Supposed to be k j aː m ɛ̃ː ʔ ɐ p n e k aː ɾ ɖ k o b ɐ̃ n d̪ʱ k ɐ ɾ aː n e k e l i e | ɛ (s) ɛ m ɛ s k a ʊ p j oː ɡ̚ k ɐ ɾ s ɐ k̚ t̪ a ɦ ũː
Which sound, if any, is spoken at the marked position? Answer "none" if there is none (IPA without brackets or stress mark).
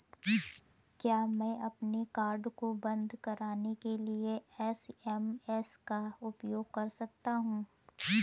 s